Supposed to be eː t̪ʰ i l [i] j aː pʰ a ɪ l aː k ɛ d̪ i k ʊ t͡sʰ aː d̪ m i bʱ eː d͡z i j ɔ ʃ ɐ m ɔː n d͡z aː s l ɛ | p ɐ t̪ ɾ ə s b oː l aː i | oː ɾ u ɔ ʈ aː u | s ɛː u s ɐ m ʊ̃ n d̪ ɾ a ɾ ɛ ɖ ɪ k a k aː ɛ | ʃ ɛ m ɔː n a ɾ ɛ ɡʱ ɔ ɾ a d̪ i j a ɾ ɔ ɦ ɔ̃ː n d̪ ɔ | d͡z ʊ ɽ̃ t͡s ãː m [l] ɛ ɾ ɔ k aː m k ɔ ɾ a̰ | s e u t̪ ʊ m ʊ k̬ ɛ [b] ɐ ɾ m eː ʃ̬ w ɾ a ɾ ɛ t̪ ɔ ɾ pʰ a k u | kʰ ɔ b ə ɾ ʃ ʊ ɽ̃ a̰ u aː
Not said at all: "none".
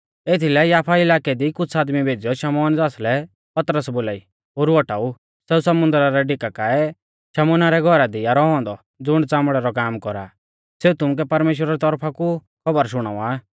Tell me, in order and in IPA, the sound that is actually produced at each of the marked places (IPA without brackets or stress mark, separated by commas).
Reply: ɛ, ɽ, p